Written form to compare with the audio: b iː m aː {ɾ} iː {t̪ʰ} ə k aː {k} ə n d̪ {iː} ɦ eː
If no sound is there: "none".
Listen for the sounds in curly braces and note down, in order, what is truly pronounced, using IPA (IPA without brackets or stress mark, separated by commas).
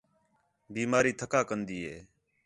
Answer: ɾ, t̪ʰ, k, iː